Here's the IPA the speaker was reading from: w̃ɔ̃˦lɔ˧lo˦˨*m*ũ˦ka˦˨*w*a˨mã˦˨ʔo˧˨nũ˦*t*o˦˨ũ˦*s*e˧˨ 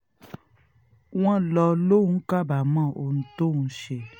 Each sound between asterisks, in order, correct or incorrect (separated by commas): incorrect, incorrect, correct, incorrect